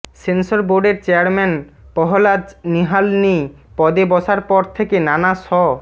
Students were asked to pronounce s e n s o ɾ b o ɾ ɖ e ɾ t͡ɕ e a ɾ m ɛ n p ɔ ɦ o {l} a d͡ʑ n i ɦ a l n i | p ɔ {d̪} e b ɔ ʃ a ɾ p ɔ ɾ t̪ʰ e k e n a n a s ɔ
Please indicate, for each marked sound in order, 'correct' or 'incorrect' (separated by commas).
correct, correct